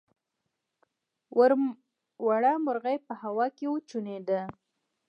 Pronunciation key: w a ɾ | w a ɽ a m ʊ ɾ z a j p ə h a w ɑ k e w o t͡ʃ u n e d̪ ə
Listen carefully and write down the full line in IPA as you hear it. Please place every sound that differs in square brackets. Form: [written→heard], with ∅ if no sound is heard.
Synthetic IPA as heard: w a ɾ | w a ɽ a m ʊ ɾ [z→ɣ] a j p ə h a w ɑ k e w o t͡ʃ u n e d̪ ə